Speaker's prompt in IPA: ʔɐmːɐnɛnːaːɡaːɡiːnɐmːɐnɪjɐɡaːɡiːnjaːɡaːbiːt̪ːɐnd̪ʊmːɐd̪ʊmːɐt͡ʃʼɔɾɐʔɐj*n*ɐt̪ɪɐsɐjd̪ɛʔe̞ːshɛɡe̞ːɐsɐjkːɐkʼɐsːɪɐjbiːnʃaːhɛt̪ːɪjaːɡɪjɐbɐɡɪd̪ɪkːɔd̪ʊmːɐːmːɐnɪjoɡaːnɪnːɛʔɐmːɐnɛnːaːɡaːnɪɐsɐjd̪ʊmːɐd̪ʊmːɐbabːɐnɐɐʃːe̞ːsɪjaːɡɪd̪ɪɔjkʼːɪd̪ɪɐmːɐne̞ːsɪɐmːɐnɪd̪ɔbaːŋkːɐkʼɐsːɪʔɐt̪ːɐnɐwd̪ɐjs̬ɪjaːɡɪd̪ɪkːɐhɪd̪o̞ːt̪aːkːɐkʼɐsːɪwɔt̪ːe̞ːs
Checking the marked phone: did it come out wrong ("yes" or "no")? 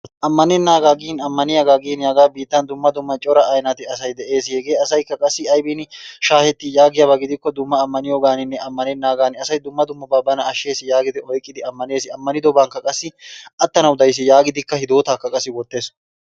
no